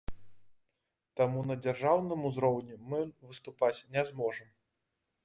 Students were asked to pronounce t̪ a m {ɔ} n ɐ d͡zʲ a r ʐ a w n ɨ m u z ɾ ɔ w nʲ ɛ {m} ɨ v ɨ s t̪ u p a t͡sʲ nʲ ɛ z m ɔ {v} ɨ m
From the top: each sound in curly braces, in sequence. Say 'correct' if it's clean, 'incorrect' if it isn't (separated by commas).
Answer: incorrect, correct, incorrect